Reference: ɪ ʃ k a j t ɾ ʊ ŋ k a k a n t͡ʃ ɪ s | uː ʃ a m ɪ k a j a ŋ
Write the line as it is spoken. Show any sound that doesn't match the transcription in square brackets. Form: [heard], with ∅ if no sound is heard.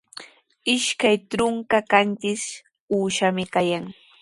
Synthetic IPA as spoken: ɪ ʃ k a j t ɾ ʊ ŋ k a k a n t͡ʃ ɪ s | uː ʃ a m ɪ k a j a ŋ